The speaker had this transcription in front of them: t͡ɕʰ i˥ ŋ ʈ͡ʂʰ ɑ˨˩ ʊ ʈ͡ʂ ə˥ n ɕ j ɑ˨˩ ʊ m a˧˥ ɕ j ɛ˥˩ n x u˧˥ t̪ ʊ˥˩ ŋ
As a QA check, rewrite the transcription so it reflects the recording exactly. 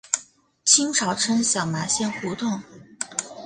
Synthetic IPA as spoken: t͡ɕʰ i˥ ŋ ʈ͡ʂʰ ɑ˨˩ ʊ ʈ͡ʂʰ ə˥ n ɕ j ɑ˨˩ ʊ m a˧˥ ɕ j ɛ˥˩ n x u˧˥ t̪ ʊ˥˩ ŋ